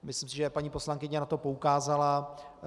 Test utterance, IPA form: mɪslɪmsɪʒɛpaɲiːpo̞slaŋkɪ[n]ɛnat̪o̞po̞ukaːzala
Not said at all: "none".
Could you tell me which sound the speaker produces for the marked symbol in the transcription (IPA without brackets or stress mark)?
ɲ